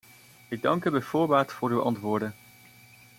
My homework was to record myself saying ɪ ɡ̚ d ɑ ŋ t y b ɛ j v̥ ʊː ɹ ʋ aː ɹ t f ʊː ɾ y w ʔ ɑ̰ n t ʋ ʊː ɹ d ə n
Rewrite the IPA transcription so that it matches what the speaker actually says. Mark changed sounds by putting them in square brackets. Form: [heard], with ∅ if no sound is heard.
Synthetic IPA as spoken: ɪ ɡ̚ d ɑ ŋ [k] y b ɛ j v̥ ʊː ɹ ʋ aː ɹ t f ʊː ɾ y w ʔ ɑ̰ n t ʋ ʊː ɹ d ə n